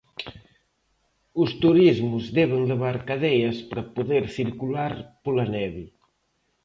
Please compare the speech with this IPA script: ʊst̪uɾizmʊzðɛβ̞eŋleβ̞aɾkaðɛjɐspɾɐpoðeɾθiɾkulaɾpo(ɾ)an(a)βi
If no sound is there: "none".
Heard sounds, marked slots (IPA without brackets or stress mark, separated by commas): l, ɛ